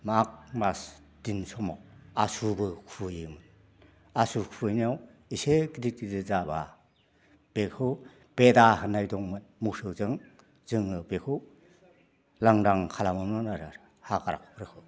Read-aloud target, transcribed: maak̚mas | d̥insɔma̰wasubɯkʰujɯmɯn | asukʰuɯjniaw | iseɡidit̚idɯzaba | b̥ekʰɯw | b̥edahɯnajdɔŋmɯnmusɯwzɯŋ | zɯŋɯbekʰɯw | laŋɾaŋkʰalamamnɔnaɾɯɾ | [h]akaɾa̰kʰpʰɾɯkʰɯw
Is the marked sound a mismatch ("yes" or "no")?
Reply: no